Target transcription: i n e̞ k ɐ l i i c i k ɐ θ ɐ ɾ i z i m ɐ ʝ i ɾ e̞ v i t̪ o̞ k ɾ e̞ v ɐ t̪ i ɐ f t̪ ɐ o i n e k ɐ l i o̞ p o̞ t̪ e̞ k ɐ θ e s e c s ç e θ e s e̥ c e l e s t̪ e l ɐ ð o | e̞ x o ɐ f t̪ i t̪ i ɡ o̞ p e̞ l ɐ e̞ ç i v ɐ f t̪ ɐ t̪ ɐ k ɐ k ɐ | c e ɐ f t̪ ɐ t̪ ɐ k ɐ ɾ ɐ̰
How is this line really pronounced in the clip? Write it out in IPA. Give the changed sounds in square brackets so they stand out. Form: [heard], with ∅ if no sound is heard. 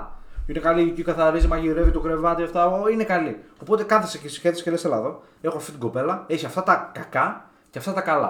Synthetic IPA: i n e̞ k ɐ l i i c i k ɐ θ ɐ ɾ i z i m ɐ ʝ i ɾ e̞ v i t̪ o̞ k ɾ e̞ v ɐ t̪ i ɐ f t̪ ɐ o i n e k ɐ l i o̞ p o̞ t̪ e̞ k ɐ θ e s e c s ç e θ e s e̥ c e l e s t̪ e l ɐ ð o | e̞ x o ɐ f t̪ i t̪ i ɡ o̞ p e̞ l ɐ e̞ ç i [∅] ɐ f t̪ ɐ t̪ ɐ k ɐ k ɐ | c e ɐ f t̪ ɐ t̪ ɐ k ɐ [l] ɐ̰